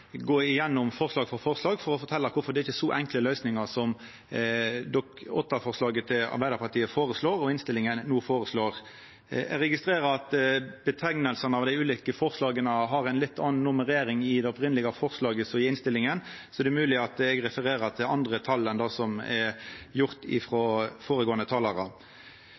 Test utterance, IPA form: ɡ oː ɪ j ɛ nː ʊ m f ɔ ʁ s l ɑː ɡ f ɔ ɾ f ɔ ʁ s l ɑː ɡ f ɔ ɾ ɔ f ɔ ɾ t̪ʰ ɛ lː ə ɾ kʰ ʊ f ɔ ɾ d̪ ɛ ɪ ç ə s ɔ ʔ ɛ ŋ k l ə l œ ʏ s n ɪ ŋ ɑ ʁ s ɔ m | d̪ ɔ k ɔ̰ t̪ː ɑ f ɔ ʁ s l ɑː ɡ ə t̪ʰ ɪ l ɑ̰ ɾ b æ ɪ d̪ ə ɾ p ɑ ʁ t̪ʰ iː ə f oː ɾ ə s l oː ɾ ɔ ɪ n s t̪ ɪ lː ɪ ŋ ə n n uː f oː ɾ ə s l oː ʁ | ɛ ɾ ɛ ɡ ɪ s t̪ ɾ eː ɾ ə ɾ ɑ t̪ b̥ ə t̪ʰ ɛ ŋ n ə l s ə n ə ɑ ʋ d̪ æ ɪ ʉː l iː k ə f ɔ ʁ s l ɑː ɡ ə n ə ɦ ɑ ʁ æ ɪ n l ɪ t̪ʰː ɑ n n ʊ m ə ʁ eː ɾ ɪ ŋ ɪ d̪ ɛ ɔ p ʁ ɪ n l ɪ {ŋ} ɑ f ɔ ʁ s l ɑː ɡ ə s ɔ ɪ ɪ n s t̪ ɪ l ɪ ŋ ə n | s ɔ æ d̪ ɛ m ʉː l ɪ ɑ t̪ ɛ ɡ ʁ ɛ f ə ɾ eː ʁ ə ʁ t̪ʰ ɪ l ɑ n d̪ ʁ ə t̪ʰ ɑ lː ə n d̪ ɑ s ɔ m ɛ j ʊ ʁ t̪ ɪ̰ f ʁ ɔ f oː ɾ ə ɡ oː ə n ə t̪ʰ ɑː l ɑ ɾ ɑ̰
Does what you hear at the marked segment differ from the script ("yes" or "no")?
yes